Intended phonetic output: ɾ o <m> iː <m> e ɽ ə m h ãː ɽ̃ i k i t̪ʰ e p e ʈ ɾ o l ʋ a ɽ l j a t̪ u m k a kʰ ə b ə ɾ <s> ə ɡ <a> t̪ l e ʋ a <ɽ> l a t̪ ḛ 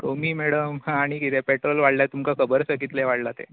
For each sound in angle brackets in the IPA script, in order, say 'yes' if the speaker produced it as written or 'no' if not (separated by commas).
yes, yes, yes, no, yes